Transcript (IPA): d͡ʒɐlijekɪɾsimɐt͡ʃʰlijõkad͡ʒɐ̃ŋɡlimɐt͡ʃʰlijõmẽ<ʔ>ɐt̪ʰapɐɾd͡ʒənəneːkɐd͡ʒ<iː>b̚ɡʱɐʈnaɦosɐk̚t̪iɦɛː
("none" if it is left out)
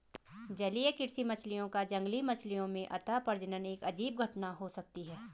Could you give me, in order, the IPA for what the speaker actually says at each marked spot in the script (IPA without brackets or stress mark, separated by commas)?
ʔ, iː